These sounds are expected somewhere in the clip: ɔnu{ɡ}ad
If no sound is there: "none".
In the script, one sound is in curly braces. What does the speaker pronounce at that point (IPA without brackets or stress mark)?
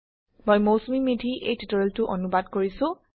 b